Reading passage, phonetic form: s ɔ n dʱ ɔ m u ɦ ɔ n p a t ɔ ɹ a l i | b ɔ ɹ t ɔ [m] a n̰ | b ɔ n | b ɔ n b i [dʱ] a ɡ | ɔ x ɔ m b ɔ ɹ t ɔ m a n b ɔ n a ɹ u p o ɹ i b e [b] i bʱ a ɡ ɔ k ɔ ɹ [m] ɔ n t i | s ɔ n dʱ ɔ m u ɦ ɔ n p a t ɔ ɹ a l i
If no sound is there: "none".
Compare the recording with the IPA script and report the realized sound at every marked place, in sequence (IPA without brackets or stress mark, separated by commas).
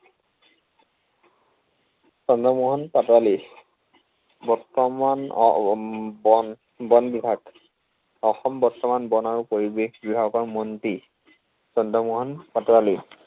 m, bʱ, b, m